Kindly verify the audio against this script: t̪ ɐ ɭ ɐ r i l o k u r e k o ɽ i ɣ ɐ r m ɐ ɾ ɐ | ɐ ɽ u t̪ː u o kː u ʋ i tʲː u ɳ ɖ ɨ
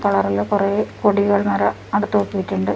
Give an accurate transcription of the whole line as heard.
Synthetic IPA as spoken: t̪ ɐ ɭ ɐ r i l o k u r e k o ɽ i ɣ ɐ ɭ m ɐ ɾ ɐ | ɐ ɽ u t̪ː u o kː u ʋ i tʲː u ɳ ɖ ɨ